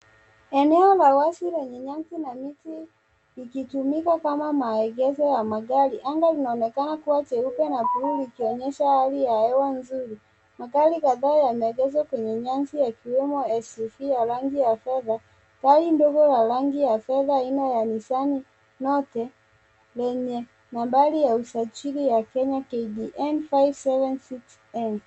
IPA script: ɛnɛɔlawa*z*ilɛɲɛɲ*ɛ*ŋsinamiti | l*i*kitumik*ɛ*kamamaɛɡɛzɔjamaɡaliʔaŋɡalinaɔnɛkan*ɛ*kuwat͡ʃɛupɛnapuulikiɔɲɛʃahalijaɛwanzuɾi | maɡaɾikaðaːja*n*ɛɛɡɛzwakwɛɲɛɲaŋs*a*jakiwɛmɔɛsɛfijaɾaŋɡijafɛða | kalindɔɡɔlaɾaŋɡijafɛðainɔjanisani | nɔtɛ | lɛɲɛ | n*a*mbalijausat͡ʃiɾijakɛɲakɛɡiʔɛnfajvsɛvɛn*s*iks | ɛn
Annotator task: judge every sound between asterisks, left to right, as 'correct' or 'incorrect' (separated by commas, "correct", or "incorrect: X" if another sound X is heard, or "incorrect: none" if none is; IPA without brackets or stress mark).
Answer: incorrect: s, incorrect: a, correct, incorrect: a, incorrect: a, incorrect: m, incorrect: i, correct, correct